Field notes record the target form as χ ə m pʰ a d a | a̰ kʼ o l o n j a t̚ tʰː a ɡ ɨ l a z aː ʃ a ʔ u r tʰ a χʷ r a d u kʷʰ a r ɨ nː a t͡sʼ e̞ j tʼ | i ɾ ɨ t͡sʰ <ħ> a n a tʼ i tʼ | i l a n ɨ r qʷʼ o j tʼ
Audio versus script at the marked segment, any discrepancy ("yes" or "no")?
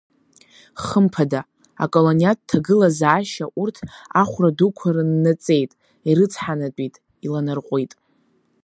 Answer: no